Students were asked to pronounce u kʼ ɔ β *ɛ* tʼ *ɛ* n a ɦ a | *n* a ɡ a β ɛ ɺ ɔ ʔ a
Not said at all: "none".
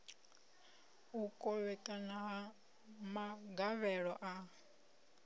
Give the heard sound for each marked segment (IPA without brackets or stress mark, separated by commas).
ɛ, a, m